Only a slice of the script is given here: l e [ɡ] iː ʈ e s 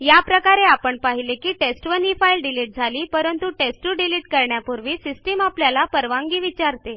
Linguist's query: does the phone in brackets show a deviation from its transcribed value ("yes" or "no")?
yes